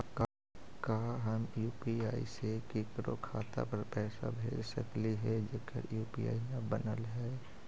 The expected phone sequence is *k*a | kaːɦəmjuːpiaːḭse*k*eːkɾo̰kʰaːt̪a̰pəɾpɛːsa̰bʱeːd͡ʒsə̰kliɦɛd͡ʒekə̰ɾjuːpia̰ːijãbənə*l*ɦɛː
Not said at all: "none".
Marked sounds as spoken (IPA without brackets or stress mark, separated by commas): k, k, l